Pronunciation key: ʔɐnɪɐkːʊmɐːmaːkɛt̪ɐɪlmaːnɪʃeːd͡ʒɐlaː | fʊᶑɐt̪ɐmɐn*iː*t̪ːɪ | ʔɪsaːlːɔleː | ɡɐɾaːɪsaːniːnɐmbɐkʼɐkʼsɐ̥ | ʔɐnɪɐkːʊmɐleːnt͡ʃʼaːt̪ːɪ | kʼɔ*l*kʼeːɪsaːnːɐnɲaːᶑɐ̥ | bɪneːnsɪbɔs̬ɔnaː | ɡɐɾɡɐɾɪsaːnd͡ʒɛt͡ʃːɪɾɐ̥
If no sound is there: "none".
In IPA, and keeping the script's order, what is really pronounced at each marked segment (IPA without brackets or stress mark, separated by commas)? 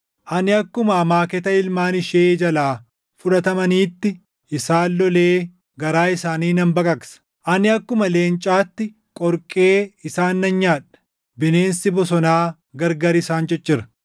iː, ɾ